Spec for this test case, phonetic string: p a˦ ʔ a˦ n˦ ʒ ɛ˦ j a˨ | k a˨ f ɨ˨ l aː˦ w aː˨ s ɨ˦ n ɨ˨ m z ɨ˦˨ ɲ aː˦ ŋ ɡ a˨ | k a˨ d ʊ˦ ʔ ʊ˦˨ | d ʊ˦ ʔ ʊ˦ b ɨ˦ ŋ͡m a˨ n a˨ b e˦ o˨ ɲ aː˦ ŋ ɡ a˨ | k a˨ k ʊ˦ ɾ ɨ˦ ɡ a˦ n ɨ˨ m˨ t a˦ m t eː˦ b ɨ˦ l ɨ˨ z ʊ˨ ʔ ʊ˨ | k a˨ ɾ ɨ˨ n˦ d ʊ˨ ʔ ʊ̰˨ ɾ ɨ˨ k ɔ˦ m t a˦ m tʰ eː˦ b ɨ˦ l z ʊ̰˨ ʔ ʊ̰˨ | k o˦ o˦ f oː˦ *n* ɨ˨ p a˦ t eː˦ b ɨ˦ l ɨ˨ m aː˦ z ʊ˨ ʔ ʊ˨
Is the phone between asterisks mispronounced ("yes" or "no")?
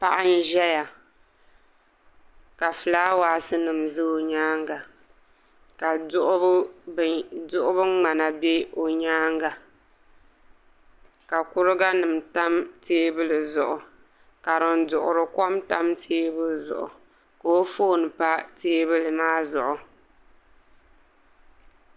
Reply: no